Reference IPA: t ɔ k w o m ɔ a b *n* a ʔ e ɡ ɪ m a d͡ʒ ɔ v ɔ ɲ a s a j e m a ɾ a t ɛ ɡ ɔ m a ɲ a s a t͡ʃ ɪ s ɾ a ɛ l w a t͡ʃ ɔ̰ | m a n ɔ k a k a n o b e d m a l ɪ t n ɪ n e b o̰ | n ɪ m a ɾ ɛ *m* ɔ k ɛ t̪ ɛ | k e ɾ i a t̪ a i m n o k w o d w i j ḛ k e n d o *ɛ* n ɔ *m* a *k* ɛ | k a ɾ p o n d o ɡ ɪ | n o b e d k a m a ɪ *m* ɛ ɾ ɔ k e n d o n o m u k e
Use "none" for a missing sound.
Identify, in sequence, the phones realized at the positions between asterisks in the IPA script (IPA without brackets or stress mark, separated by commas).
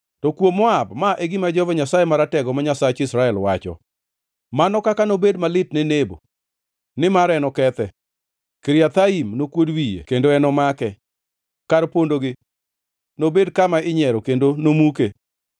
m, n, ɛ, m, k, ɲ